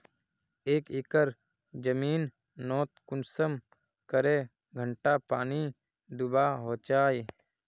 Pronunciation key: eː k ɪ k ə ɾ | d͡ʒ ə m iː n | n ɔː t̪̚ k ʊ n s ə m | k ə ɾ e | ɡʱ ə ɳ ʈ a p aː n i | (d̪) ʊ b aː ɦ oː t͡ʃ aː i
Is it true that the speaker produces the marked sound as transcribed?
yes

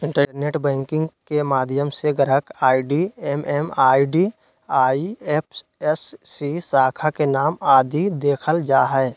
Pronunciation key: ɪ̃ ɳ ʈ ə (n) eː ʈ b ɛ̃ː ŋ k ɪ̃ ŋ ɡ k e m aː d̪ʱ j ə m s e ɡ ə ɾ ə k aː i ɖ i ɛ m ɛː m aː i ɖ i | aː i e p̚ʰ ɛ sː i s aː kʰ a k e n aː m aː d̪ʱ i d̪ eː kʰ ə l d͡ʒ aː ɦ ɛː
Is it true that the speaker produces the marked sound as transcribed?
yes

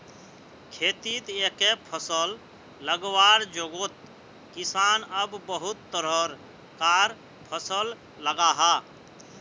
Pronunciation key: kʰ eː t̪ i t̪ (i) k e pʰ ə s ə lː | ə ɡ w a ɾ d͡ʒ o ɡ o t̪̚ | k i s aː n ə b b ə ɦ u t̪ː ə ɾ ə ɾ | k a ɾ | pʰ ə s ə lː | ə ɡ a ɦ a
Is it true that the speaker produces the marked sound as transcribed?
no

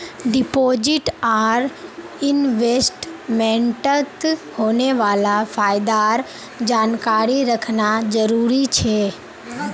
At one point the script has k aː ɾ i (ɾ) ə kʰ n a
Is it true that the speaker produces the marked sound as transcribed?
yes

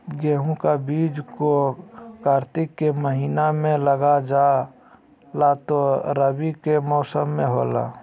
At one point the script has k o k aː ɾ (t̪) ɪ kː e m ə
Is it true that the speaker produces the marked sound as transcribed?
yes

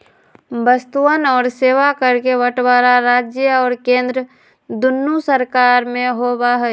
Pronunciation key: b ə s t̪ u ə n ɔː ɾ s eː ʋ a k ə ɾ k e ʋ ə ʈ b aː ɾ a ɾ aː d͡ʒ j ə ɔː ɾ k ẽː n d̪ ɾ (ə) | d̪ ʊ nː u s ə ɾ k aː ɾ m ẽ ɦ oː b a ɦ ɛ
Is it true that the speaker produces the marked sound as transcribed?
yes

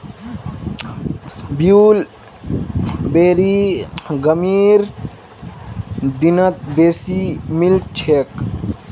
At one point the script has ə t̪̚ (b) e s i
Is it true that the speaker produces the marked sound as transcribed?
yes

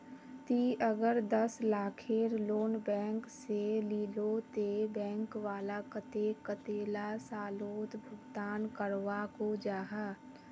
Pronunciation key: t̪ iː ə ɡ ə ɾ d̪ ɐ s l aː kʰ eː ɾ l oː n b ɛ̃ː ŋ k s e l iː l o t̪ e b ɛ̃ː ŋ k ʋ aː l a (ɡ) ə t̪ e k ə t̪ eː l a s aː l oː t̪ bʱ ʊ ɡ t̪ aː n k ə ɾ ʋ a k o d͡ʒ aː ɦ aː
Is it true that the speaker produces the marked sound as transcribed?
no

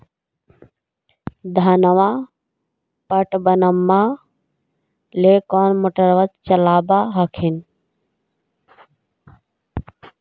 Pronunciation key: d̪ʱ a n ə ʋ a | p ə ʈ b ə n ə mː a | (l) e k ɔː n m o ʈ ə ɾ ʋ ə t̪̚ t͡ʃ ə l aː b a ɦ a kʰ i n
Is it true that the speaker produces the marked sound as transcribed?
yes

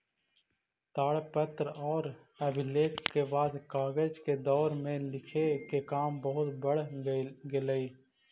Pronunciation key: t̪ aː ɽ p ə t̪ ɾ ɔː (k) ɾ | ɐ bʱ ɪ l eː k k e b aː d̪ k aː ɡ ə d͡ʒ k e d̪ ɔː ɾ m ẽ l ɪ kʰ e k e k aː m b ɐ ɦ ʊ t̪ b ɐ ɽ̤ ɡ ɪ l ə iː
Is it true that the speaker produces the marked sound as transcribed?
no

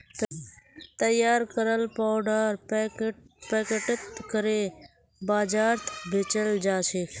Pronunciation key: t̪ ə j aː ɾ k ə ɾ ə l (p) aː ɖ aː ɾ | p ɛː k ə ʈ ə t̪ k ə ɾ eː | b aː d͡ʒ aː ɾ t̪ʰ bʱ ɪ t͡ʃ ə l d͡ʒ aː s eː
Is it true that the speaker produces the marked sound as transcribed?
yes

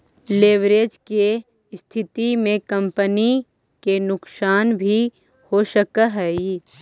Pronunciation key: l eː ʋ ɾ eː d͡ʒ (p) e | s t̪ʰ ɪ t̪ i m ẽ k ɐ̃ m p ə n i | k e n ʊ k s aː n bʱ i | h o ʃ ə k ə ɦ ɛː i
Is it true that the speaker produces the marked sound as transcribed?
no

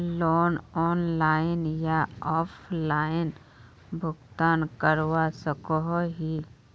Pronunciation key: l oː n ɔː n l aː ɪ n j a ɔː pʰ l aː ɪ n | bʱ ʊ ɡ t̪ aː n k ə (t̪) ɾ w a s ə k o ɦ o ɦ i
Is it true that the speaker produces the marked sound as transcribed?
no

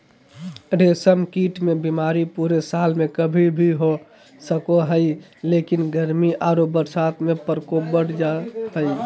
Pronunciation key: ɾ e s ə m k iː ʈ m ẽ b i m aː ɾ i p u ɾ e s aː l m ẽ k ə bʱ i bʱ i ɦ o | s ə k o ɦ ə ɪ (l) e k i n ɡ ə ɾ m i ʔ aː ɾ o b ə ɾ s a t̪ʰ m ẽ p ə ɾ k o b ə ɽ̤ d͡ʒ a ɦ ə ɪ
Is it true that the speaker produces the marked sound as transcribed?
yes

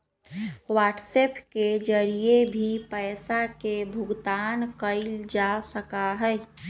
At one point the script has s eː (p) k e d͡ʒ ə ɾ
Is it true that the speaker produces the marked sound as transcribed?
yes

